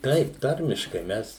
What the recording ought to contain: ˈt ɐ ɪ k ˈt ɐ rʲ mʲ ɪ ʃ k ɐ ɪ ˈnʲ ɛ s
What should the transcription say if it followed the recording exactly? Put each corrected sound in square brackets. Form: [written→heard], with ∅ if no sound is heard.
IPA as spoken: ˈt ɐ ɪ [k→p] ˈt ɐ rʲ mʲ ɪ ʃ k ɐ ɪ [ˈnʲ→ˈmʲ] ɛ s